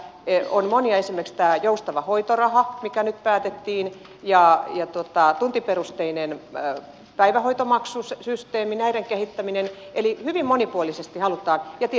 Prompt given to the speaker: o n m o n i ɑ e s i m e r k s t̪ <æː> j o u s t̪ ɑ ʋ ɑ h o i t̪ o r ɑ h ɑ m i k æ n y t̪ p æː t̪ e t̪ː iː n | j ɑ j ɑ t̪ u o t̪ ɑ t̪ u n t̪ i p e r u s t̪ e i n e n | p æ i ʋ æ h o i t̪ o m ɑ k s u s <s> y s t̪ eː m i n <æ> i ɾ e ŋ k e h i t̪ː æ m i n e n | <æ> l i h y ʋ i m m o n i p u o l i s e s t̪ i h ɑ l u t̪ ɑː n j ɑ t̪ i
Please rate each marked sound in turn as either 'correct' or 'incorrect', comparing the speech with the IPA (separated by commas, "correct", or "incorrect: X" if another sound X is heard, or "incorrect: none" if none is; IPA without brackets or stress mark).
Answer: correct, correct, correct, incorrect: e